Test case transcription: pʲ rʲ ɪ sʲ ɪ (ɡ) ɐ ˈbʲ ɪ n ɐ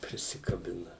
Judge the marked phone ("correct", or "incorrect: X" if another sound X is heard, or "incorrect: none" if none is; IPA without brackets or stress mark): incorrect: k